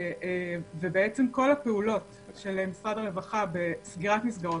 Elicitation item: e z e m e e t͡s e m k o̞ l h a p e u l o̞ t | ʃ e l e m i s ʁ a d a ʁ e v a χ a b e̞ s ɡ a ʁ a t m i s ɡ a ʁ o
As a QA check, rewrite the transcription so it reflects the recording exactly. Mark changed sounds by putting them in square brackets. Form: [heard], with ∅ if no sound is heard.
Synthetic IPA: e [v] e [b] e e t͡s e m k o̞ l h a p e u l o̞ t | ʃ e l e m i s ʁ a d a ʁ e v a χ a b e̞ s ɡ [i] ʁ a t m i s ɡ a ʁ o